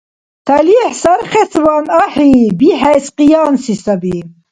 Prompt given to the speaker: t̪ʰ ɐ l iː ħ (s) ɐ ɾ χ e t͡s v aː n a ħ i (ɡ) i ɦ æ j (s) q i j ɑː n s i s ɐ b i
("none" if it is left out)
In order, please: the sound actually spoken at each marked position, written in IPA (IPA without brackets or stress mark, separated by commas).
s, b, s